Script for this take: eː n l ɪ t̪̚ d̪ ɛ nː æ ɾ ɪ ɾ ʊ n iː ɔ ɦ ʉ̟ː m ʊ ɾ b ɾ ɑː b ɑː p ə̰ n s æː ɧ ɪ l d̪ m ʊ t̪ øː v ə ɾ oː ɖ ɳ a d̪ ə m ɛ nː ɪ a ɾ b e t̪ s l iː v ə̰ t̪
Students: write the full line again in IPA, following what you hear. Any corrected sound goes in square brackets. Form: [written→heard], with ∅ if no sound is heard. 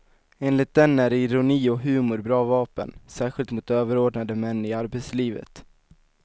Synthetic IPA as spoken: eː n l ɪ t̪̚ d̪ ɛ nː æ ɾ ɪ ɾ ʊ n iː ɔ ɦ ʉ̟ː m ʊ ɾ b ɾ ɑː [b→v] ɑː p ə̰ n s æː ɧ ɪ l [d̪→t̪] m ʊ t̪ øː v ə ɾ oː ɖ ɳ a d̪ ə m ɛ nː ɪ a ɾ b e t̪ s l iː v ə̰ t̪